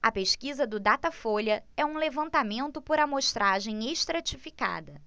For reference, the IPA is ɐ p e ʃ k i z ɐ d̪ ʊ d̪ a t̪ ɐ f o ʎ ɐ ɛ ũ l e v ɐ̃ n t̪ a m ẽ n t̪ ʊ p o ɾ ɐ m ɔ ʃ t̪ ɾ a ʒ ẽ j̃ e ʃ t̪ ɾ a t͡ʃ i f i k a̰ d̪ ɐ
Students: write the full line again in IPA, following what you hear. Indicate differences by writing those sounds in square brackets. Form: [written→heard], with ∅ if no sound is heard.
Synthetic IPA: ɐ p e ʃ k i z ɐ d̪ ʊ d̪ a t̪ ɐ f o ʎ ɐ ɛ ũ l e v ɐ̃ n t̪ a m ẽ n t̪ ʊ p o ɾ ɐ m [ɔ→o] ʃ t̪ ɾ a ʒ ẽ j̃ e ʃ t̪ ɾ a t͡ʃ i f i k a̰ d̪ ɐ